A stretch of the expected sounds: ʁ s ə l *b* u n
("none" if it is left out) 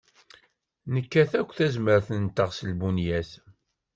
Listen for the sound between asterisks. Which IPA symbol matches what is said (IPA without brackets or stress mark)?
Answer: b